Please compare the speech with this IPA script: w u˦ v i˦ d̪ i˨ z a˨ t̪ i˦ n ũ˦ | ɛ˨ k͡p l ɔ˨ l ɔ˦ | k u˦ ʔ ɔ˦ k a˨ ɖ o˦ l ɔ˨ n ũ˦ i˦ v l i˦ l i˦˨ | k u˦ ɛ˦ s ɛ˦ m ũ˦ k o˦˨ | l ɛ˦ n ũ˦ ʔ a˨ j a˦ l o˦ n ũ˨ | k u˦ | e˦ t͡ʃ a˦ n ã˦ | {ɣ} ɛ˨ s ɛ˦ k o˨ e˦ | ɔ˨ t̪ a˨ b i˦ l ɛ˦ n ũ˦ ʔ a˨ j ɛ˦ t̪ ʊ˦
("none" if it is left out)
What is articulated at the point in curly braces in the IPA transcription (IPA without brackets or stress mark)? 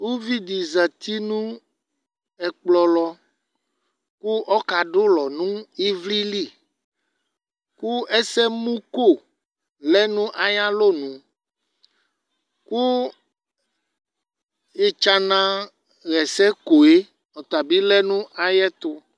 ɣ